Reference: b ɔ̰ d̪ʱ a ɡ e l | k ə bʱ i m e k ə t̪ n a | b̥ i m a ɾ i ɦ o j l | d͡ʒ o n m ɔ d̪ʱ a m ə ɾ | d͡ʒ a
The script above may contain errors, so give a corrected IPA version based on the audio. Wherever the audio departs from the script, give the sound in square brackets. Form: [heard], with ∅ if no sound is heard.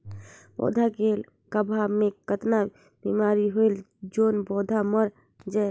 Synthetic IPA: b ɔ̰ d̪ʱ a ɡ e l | k ə bʱ [a] m e k ə t̪ n a | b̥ i m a ɾ i ɦ o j l | d͡ʒ o n [b] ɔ d̪ʱ a m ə ɾ | d͡ʒ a

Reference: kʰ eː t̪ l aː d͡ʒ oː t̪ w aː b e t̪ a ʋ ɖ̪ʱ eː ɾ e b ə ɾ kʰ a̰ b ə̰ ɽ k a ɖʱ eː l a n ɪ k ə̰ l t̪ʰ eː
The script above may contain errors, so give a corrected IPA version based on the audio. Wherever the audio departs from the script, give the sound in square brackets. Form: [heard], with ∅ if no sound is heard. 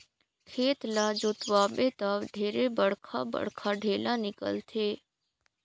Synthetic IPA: kʰ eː t̪ l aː d͡ʒ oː t̪ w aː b e t̪ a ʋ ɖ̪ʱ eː ɾ e b ə [ɽ] kʰ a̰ b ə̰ ɽ [kʰ] a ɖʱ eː l a n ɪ k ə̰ l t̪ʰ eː

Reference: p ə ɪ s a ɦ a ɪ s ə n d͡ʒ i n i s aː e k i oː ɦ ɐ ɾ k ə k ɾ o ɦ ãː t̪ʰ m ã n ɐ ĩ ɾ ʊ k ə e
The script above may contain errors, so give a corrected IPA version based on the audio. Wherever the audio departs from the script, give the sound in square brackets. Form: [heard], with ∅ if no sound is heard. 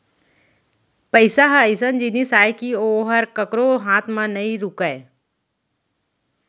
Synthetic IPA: p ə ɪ s a ɦ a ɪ s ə n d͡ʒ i n i s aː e k i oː ɦ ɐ ɾ k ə k ɾ o ɦ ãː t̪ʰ m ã n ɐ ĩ ɾ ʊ k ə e

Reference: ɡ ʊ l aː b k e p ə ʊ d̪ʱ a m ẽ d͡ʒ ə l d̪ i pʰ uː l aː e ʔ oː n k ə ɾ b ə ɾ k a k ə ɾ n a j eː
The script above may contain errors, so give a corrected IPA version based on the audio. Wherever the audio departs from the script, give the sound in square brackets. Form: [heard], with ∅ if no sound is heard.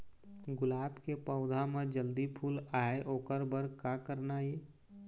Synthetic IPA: ɡ ʊ l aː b k e p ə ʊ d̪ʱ a m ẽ d͡ʒ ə l d̪ i pʰ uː l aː e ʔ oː [∅] k ə ɾ b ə ɾ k a k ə ɾ n a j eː

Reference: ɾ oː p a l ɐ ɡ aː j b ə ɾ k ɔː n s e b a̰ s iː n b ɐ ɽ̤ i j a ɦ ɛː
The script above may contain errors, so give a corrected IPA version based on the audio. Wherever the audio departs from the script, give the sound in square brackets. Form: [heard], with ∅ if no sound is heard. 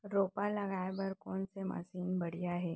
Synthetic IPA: ɾ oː p a l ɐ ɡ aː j b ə ɾ k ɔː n s e [m] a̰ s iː n b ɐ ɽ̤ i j a ɦ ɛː

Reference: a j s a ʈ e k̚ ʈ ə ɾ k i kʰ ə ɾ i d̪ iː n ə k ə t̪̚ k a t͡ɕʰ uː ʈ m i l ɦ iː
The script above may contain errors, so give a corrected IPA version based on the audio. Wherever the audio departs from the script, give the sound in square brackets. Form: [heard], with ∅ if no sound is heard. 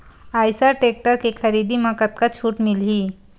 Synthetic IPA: a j s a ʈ e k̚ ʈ ə ɾ k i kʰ ə ɾ i d̪ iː [m] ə k ə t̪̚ k a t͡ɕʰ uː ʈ m i l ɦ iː

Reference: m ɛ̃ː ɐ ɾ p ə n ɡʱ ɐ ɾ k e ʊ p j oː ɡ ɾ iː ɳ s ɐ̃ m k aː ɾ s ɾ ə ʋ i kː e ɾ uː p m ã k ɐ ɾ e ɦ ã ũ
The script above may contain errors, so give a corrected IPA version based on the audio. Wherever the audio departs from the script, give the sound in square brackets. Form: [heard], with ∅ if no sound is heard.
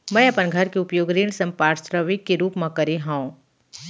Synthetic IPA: m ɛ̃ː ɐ [∅] p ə n ɡʱ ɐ ɾ k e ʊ p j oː ɡ ɾ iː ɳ s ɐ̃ m [p] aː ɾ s ɾ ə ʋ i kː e ɾ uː p m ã k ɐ ɾ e ɦ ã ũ

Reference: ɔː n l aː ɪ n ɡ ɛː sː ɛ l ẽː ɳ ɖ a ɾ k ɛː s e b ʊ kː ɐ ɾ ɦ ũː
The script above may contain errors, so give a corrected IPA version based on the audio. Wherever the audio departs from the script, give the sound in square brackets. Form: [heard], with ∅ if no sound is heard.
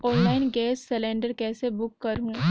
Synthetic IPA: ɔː n l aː ɪ n ɡ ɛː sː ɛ l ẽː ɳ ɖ [ə] ɾ k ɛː s e b ʊ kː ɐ ɾ ɦ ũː

